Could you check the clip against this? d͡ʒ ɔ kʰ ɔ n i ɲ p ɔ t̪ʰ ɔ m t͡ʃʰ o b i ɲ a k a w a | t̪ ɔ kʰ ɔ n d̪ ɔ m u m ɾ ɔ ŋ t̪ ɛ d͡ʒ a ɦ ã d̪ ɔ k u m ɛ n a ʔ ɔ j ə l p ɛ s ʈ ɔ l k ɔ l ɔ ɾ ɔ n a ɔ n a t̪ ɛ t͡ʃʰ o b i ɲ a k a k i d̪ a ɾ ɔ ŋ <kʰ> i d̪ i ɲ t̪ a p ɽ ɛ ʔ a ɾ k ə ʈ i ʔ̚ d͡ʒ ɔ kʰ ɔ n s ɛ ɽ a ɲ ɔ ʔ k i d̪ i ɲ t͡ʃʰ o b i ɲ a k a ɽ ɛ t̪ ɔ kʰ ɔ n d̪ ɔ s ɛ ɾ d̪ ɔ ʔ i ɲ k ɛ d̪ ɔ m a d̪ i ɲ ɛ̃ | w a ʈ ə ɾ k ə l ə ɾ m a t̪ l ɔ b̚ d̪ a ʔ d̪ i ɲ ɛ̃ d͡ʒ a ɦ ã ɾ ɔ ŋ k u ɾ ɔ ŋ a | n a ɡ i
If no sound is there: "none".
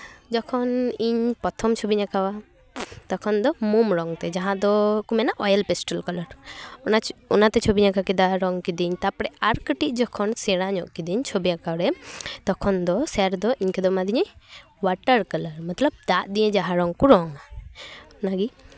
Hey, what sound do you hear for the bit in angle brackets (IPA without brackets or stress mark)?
k